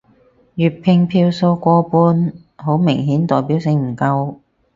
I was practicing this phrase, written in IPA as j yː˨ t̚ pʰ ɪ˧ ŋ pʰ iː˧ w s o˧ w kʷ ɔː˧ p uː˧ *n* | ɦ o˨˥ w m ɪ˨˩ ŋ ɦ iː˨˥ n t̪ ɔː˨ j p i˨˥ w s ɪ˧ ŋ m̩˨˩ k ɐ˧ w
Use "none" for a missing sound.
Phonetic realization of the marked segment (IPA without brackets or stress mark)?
n